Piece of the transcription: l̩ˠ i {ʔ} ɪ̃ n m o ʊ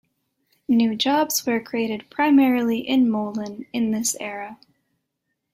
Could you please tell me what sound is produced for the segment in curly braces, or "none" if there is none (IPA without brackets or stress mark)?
ʔ